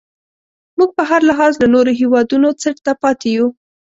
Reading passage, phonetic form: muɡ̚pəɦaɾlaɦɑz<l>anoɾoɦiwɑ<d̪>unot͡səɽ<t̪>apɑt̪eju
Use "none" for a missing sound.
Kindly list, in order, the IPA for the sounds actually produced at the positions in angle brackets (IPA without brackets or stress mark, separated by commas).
l, d̪, t̪